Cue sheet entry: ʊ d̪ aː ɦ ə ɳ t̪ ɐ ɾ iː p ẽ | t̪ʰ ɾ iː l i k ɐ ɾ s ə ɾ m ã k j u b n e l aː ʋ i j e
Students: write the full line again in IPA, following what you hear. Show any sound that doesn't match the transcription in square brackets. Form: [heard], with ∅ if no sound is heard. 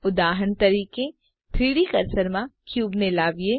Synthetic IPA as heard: ʊ d̪ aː ɦ ə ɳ t̪ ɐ ɾ iː [k] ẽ | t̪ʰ ɾ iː [ɽ] i k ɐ ɾ s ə ɾ m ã k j [uː] b n e l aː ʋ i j e